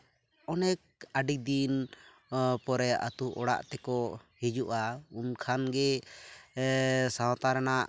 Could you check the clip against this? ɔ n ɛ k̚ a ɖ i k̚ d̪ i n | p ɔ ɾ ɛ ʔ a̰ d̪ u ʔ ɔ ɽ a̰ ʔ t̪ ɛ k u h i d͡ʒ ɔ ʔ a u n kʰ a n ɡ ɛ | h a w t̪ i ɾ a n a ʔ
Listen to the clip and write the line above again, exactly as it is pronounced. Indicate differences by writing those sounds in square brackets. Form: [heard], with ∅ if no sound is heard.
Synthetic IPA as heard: ɔ n ɛ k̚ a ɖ i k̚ d̪ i n | p ɔ ɾ ɛ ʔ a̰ [t̪] u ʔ ɔ ɽ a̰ ʔ t̪ ɛ k [ɔ] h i d͡ʒ [u] ʔ a u n kʰ a n ɡ ɛ | [s] a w t̪ [a] ɾ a n a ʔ